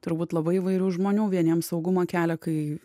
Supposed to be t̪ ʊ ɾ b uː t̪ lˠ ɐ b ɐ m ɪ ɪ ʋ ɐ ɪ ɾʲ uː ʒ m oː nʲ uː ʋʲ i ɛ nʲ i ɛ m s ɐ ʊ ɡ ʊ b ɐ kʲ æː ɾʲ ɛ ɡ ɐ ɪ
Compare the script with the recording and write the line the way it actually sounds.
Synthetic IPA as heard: t̪ ʊ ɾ b uː t̪ lˠ ɐ b ɐ ɪ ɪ ʋ ɐ ɪ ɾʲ uː ʒ m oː nʲ uː ʋʲ i ɛ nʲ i ɛ m s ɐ ʊ ɡ ʊ m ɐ kʲ æː lʲ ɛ k ɐ ɪ